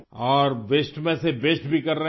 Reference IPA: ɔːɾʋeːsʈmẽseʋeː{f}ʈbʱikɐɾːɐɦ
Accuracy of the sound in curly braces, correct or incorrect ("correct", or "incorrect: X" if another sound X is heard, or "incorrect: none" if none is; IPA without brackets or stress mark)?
incorrect: s